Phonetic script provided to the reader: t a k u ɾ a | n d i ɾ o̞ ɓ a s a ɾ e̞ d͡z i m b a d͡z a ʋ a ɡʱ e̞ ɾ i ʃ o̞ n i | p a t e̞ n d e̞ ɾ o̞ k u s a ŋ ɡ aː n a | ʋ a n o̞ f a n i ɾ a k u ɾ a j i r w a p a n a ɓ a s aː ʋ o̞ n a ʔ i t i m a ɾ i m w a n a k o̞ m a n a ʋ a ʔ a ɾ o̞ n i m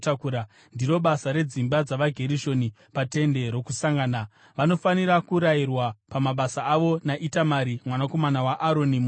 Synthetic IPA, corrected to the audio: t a k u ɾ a | n d i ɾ o̞ ɓ a s a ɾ e̞ d͡z i m b a d͡z a ʋ a ɡʱ e̞ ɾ i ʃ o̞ n i | p a t e̞ n d e̞ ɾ o̞ k u s a ŋ ɡ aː n a | ʋ a n o̞ f a n i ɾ a k u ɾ a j i r w a p a m a ɓ a s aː ʋ o̞ n a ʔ i t a m a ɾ i m w a n a k o̞ m a n a w a ʔ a ɾ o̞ n i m